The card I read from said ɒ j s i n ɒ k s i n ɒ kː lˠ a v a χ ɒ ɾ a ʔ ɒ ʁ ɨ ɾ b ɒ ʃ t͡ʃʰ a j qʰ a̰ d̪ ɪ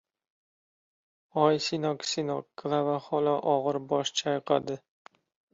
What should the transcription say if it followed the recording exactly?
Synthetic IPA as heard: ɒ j s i n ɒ k s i n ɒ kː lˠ a v a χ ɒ l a ʔ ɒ ʁ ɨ ɾ b ɒ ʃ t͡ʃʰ a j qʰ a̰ d̪ ɪ